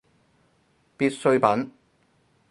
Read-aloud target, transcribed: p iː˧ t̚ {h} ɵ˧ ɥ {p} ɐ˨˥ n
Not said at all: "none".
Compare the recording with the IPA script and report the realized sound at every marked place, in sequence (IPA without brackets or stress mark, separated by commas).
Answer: s, p